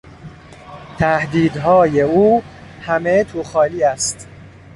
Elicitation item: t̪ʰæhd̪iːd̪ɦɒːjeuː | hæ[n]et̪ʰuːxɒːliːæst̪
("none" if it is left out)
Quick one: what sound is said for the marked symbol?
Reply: m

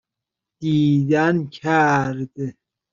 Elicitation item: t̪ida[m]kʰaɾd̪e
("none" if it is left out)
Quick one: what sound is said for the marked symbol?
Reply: n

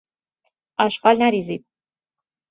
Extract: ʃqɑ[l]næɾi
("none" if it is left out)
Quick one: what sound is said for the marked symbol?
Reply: l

